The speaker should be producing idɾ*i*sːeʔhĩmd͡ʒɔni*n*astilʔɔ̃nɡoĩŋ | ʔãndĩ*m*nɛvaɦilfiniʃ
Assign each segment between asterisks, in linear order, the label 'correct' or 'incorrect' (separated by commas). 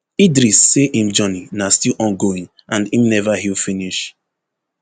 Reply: correct, correct, correct